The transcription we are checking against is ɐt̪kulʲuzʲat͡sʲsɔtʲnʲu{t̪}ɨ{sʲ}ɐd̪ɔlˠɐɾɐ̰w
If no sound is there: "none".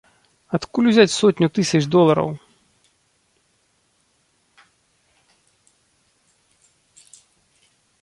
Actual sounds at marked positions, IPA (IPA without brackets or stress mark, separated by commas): t̪, sʲ